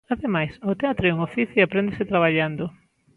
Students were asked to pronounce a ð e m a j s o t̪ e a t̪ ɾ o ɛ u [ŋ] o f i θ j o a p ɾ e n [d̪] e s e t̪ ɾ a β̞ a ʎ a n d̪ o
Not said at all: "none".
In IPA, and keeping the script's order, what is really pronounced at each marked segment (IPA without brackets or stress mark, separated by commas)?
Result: ŋ, d̪